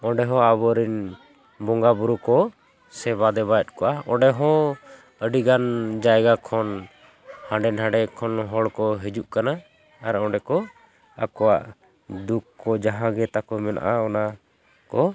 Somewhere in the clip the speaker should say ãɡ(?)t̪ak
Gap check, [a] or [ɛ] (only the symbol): ɛ